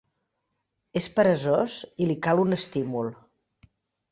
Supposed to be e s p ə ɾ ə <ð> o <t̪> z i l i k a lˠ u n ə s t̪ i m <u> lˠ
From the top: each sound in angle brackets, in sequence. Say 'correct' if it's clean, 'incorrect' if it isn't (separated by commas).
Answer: incorrect, incorrect, correct